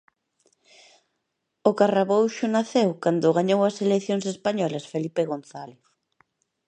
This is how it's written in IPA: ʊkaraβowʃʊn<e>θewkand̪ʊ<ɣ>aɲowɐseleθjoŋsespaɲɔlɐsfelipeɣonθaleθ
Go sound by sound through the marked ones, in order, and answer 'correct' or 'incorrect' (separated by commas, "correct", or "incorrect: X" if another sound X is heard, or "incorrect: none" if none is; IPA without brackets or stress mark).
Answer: incorrect: a, correct